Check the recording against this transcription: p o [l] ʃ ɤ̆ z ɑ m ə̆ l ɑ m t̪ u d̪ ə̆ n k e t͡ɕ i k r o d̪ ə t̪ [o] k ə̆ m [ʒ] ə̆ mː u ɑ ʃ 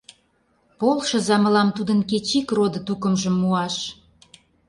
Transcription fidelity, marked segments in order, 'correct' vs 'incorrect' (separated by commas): correct, incorrect, correct